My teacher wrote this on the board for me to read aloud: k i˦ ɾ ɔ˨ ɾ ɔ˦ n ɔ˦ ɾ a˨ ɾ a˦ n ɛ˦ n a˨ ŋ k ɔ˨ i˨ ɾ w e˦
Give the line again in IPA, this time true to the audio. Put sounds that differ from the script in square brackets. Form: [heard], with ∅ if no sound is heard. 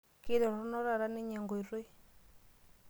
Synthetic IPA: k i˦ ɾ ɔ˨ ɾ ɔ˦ n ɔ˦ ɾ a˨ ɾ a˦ n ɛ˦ [ɲ] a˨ ŋ [ɡ] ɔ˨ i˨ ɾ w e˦